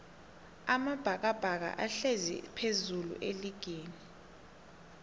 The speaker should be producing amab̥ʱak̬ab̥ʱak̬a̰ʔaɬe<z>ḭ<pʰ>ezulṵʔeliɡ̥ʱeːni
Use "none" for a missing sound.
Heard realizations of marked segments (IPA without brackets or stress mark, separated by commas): z, pʰ